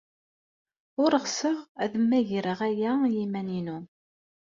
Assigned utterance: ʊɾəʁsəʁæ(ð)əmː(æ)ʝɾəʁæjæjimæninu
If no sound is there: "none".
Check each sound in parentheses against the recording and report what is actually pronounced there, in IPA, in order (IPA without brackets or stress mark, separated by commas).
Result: ð, æ